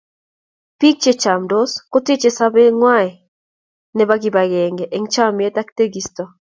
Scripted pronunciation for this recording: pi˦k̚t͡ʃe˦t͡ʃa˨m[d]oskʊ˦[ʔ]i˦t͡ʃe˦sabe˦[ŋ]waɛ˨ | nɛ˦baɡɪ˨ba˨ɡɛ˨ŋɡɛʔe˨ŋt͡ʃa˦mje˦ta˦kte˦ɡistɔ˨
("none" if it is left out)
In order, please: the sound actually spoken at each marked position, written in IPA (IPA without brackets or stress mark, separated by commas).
d, t, ŋ